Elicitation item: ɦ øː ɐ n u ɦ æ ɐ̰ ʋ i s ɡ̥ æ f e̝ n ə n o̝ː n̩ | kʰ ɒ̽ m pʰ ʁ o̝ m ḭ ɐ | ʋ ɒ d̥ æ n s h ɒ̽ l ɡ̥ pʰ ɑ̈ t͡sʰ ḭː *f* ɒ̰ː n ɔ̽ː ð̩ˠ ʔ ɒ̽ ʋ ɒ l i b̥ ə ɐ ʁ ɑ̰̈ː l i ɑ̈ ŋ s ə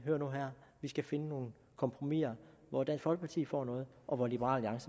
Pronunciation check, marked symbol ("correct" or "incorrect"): correct